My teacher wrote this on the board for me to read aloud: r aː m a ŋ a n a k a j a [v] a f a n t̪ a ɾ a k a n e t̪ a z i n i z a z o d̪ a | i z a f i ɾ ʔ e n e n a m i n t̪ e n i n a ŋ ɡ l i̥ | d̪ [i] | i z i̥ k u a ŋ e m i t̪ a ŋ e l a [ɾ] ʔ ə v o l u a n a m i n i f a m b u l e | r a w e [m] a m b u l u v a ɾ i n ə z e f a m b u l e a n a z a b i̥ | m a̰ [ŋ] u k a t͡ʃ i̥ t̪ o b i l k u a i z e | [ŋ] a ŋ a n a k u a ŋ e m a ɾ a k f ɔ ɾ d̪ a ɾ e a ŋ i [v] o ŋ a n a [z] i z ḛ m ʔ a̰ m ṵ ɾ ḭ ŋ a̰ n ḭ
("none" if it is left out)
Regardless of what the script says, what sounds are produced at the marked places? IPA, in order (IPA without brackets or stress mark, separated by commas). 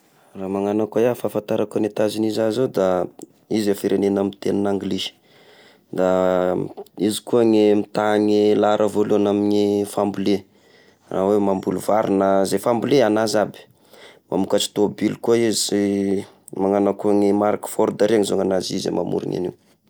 f, a, ɾ, m, m, m, z, z